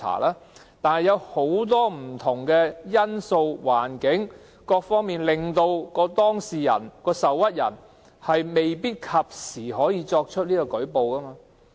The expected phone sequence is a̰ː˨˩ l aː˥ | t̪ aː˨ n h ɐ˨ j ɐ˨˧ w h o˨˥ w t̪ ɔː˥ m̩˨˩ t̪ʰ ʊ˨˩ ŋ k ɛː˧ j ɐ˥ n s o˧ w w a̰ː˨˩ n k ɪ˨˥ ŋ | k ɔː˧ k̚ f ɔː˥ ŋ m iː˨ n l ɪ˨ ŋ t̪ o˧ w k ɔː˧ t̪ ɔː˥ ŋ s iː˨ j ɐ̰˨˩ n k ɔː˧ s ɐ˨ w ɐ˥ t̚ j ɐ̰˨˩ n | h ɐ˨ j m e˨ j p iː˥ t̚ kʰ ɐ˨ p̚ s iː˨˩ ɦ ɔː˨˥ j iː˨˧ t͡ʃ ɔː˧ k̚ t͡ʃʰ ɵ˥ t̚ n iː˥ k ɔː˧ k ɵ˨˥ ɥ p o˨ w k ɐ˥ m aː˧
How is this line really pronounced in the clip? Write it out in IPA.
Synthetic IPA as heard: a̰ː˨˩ l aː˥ | t̪ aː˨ n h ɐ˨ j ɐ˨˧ w h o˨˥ w t̪ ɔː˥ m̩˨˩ t̪ʰ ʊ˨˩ ŋ k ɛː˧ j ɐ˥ n s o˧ w w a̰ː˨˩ n k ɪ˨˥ ŋ | k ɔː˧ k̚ f ɔː˥ ŋ m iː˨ n l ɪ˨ ŋ t̪ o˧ w k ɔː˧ t̪ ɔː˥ ŋ s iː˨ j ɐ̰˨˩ n k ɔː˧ s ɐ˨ w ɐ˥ t̚ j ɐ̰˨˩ n | h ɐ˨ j m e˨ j p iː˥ t̚ kʰ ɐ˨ p̚ s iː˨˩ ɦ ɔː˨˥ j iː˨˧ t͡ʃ ɔː˧ k̚ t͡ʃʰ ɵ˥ t̚ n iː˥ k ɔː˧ k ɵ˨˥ ɥ p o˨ w k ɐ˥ m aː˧